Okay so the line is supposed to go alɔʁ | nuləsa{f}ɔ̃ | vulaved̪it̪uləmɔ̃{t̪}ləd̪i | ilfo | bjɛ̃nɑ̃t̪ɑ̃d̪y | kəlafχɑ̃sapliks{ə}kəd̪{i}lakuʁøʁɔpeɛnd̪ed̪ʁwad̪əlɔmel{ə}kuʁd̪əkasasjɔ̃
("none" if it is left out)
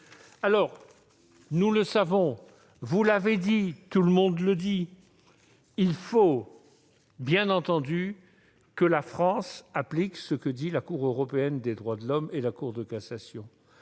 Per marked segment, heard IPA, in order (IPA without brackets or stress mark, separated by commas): v, d̪, ə, i, a